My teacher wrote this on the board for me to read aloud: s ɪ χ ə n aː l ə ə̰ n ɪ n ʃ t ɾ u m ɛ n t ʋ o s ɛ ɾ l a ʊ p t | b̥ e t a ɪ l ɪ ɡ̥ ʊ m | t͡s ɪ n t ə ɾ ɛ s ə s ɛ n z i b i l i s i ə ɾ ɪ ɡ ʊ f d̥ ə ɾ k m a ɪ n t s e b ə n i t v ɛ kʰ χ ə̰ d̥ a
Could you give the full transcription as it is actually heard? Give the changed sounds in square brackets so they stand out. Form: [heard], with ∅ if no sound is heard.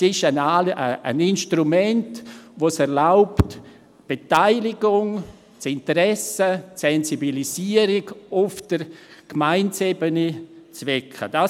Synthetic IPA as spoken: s ɪ [ʃ] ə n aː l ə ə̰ n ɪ n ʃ t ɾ u m ɛ n t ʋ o s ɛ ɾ l a ʊ p t | b̥ e t a ɪ l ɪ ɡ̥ ʊ [ŋ] | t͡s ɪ n t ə ɾ ɛ s ə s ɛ n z i b i l i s i ə ɾ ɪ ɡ ʊ f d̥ ə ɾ k m a ɪ n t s e b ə n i [t͡s] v ɛ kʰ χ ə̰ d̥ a